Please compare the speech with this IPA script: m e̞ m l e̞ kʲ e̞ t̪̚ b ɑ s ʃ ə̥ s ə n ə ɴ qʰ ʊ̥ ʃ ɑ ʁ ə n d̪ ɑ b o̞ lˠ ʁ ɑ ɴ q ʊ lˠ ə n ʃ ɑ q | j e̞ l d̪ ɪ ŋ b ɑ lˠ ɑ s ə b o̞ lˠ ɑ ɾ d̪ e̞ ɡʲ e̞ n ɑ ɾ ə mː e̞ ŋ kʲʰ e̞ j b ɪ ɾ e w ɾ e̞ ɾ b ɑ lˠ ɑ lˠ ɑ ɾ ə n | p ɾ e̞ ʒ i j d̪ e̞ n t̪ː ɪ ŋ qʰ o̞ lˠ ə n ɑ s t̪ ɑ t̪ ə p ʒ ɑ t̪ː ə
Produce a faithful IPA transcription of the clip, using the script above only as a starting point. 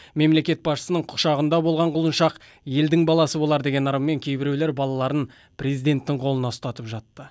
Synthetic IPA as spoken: m e̞ m l e̞ kʲ e̞ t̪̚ b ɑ s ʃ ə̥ s ə n ə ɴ qʰ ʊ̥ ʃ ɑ ʁ ə n d̪ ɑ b o̞ lˠ ʁ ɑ ɴ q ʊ lˠ ə n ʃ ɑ q | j e̞ l d̪ ɪ ŋ b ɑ lˠ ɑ s ə b o̞ lˠ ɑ ɾ d̪ e̞ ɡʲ e̞ n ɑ ɾ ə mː e̞ ŋ kʲʰ e̞ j b ɪ ɾ e w l e̞ ɾ b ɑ lˠ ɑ lˠ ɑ ɾ ə n | p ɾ e̞ z i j d̪ e̞ n t̪ː ɪ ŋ qʰ o̞ lˠ ə n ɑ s t̪ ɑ t̪ ə p ʒ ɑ t̪ː ə